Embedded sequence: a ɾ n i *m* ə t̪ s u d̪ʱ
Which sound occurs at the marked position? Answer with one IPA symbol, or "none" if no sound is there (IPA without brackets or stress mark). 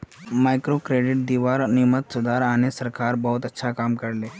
m